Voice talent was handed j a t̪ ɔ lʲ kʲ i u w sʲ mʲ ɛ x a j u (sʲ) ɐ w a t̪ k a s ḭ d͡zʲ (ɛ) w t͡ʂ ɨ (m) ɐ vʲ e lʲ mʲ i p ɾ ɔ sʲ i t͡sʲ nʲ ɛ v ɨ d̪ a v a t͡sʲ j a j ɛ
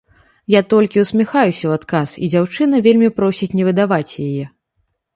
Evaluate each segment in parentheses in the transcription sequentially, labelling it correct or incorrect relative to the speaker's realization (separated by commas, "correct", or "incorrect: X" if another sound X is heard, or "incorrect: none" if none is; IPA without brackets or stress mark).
correct, incorrect: a, incorrect: n